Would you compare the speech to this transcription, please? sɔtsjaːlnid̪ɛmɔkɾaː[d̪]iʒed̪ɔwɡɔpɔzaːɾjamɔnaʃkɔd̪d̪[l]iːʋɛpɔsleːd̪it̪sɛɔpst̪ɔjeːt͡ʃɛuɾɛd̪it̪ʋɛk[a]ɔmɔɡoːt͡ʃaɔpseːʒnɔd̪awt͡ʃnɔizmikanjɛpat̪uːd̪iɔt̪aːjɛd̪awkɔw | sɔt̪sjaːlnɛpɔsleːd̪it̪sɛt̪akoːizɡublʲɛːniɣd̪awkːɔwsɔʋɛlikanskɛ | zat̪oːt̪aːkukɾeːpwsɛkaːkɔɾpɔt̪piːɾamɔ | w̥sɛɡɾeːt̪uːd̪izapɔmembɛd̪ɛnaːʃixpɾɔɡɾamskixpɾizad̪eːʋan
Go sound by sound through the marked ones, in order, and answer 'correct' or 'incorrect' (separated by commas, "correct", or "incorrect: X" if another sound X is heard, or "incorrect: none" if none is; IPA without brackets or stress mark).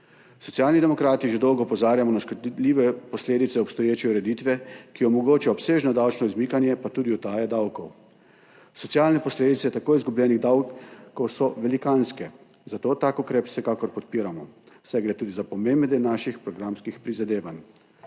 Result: incorrect: t̪, correct, incorrect: i